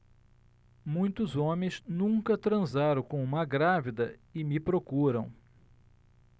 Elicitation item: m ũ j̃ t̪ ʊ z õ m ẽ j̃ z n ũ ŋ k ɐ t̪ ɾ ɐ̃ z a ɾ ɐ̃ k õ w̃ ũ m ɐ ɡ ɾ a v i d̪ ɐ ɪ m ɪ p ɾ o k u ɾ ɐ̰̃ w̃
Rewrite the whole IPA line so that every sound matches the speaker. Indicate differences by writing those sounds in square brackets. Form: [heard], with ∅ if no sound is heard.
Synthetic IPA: m ũ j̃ t̪ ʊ z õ m ẽ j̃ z n ũ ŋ k ɐ t̪ ɾ ɐ̃ z a ɾ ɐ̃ k õ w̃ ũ m ɐ ɡ ɾ a v i d̪ ɐ ɪ m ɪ p ɾ o k u ɾ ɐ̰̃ w̃